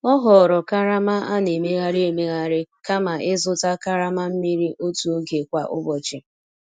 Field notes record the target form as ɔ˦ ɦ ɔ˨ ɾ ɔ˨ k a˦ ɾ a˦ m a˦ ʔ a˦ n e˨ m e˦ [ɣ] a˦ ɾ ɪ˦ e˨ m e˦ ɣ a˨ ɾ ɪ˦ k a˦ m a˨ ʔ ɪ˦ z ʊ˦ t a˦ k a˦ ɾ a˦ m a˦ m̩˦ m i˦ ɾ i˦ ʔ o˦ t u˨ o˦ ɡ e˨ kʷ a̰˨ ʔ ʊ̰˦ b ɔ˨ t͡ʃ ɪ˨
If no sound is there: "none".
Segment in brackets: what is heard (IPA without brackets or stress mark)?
ɣ